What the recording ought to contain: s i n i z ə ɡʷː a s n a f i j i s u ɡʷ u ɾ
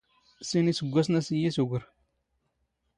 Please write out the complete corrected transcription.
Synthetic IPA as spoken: s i n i s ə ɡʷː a s n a s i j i s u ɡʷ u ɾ

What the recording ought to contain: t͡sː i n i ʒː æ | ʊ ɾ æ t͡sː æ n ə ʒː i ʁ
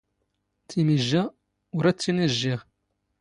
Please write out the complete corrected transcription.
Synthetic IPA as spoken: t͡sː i m i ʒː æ | ʊ ɾ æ t͡sː i n ə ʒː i ʁ

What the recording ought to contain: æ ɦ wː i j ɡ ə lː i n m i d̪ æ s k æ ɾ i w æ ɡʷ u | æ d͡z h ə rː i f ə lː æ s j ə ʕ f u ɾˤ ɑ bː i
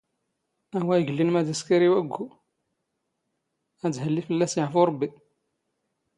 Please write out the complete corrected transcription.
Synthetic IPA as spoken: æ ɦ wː æ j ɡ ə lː i n m æ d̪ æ s k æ ɾ i w æ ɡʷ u | æ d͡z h ə lː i f ə lː æ s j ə ʕ f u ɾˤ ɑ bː i

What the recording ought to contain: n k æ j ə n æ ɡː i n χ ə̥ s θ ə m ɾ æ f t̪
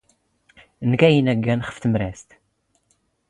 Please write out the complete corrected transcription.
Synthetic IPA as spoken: n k æ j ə n æ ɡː æ n χ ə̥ f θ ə m ɾ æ s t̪

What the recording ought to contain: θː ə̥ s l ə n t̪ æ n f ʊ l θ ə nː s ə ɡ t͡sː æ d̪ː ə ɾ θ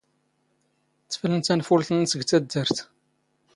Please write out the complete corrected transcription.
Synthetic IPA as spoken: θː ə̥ f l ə n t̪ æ n f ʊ l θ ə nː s ə ɡ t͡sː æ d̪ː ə ɾ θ

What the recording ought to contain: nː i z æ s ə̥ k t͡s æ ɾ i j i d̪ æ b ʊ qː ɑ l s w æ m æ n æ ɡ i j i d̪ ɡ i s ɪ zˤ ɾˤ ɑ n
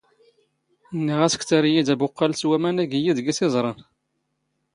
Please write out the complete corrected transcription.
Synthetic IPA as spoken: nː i ʁ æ s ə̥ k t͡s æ ɾ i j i d̪ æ b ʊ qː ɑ l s w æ m æ n æ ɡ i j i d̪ ɡ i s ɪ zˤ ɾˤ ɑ n

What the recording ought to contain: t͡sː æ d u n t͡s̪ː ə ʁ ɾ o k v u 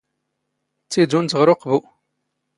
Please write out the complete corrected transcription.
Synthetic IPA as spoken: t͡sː i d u n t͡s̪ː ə ʁ ɾ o q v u

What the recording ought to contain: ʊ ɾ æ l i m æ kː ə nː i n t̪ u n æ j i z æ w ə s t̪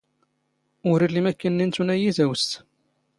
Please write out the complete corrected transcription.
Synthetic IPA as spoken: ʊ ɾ i l i m æ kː ə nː i n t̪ u n æ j i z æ w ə s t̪

